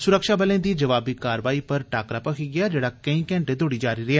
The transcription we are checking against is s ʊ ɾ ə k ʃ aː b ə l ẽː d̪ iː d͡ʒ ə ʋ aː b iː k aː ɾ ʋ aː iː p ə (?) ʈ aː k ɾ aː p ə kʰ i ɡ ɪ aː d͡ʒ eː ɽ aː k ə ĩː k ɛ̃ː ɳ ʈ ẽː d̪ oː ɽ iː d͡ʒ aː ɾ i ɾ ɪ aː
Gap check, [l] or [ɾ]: ɾ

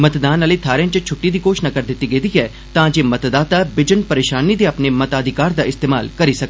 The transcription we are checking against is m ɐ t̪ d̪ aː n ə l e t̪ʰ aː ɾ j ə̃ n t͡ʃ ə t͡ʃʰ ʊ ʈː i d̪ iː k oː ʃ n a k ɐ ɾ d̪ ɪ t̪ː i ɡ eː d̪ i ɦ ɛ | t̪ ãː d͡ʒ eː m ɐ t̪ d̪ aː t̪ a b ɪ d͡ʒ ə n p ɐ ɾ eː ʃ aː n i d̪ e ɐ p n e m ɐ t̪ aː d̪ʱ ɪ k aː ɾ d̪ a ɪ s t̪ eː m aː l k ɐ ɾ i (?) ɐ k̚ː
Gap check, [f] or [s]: s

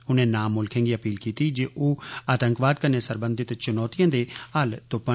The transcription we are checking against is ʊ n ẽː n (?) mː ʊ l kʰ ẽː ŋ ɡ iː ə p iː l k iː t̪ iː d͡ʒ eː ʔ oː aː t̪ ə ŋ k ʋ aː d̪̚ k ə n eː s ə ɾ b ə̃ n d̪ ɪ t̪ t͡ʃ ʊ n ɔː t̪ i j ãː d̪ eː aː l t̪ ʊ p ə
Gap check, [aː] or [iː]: aː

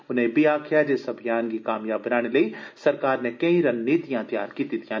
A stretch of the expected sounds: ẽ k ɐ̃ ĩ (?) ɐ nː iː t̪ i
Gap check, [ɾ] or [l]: ɾ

